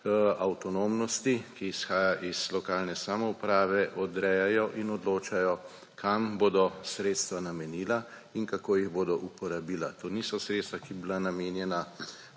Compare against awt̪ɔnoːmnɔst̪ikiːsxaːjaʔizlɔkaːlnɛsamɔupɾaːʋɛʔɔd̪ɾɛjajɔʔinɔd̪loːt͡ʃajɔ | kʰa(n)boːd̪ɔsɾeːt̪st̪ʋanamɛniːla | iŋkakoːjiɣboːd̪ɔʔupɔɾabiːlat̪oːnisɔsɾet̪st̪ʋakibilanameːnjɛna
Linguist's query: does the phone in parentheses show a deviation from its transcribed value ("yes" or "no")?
yes